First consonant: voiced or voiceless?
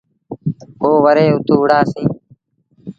voiced